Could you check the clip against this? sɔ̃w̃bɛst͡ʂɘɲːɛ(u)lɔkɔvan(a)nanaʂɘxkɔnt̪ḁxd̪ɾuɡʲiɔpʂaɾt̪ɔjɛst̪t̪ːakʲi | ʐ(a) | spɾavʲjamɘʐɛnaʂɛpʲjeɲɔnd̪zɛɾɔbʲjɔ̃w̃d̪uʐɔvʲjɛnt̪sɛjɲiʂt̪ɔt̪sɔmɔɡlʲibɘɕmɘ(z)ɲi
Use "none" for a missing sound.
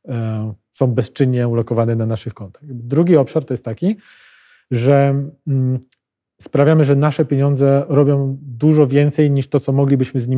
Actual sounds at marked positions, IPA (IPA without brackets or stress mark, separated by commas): u, ɛ, ɛ, z